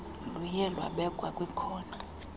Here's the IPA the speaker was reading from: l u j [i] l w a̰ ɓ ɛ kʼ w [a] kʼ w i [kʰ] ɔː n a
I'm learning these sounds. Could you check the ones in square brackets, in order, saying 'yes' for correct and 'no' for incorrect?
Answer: no, yes, yes

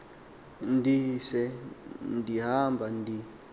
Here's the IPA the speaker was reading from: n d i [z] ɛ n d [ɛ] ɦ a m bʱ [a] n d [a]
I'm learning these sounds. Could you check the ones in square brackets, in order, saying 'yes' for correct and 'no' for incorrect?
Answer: no, no, yes, no

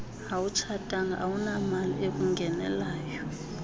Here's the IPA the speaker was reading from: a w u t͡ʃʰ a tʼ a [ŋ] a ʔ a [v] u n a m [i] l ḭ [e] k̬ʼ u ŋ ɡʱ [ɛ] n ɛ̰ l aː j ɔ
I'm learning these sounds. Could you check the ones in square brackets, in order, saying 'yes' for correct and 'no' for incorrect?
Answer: yes, no, no, yes, yes

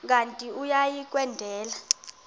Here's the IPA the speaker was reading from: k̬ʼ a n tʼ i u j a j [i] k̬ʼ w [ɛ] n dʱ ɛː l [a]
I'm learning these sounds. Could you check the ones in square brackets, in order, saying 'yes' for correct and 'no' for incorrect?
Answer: yes, yes, yes

